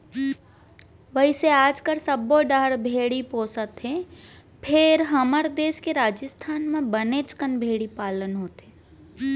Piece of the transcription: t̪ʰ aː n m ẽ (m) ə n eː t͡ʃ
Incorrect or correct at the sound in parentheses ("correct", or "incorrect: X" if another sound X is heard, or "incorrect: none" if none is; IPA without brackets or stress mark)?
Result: incorrect: b